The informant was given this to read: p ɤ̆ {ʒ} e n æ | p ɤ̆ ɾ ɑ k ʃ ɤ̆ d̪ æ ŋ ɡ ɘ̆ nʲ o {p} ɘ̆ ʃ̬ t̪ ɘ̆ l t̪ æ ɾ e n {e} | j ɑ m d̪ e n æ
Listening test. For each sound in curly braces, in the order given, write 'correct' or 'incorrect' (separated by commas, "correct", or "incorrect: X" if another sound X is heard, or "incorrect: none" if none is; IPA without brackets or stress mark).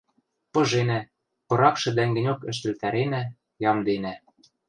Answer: correct, incorrect: k, incorrect: æ